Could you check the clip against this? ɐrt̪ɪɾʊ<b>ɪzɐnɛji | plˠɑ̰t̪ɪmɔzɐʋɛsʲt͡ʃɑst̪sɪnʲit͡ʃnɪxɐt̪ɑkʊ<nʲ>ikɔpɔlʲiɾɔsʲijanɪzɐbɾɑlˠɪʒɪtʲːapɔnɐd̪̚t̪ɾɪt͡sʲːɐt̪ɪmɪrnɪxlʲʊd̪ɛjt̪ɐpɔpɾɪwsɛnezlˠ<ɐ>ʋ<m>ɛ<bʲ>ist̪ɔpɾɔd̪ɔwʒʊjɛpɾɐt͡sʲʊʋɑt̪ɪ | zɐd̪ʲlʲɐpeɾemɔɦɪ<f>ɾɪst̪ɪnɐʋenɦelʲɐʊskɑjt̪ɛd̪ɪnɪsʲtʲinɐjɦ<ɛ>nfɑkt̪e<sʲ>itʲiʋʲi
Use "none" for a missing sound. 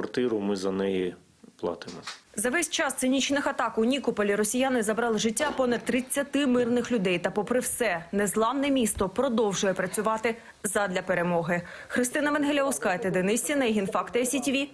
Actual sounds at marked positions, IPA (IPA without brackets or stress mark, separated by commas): m, nʲ, ɑ, n, mʲ, x, i, sʲ